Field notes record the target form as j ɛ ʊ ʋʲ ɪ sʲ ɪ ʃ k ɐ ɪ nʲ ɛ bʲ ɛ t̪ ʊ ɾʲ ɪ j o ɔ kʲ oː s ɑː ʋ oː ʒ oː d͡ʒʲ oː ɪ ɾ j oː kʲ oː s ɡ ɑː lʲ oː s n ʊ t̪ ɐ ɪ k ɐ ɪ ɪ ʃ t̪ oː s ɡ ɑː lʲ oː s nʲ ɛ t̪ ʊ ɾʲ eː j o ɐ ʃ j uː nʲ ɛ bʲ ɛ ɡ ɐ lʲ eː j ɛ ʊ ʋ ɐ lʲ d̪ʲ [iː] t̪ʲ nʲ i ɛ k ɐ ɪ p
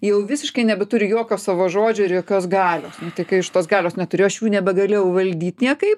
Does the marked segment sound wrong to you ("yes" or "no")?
no